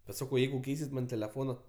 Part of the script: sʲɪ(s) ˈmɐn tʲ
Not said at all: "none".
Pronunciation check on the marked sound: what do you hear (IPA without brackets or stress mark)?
t